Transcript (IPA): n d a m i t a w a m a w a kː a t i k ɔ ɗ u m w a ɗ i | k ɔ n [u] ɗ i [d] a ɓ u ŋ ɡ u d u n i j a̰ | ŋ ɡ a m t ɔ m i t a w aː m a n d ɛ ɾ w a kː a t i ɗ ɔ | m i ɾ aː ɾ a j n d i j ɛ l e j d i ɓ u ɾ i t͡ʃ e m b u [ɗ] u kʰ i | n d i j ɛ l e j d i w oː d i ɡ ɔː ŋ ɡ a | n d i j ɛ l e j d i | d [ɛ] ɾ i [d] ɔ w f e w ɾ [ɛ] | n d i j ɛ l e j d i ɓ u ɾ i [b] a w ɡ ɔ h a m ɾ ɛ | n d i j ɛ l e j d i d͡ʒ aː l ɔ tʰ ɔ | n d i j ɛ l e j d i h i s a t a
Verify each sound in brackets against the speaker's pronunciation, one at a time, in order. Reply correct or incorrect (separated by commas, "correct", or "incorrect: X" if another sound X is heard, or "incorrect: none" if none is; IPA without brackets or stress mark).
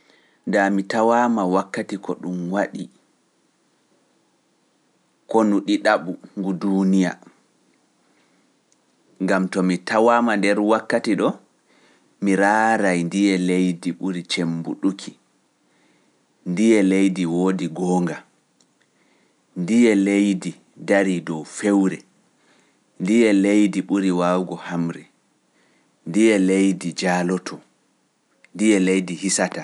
correct, incorrect: ɗ, correct, incorrect: a, correct, correct, incorrect: w